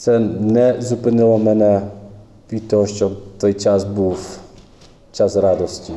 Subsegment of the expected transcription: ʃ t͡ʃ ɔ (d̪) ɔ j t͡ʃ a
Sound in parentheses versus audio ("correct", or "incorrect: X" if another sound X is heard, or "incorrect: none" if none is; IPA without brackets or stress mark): incorrect: t̪